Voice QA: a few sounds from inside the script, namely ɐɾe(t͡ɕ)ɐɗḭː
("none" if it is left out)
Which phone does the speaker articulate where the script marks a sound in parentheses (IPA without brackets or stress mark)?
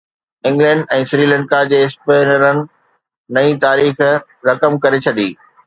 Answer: t͡ɕʰ